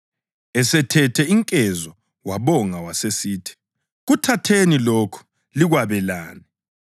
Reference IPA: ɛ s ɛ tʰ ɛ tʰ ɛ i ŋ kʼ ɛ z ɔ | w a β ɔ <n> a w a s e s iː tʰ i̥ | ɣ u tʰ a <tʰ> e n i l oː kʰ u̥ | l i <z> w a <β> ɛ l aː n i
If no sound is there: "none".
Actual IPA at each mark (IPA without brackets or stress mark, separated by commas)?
ŋ, tʰ, ɣ, β